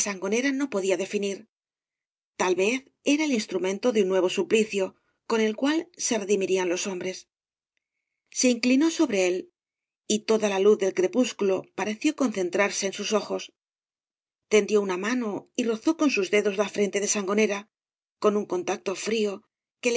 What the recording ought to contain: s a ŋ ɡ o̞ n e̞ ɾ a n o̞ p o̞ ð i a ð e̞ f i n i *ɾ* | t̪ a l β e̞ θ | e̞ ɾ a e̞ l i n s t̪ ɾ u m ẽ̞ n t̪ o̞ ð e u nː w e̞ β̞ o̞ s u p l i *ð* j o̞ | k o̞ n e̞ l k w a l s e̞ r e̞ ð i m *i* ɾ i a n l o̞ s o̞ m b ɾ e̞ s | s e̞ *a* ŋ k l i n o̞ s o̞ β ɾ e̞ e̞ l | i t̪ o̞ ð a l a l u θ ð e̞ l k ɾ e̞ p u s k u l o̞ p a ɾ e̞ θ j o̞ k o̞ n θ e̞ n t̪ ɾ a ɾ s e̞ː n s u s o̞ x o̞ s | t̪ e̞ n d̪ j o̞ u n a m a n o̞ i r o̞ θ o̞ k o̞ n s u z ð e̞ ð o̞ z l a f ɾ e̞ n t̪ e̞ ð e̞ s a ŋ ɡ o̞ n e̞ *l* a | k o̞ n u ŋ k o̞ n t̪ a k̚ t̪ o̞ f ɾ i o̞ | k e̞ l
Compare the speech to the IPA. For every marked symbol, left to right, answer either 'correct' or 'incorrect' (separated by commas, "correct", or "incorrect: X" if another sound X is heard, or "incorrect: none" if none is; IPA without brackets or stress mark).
correct, incorrect: θ, correct, incorrect: i, incorrect: ɾ